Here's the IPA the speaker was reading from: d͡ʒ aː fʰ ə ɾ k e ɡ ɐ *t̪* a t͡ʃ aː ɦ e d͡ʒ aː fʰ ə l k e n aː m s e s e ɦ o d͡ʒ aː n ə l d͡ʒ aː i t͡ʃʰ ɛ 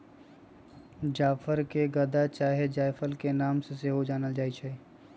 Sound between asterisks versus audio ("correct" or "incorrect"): incorrect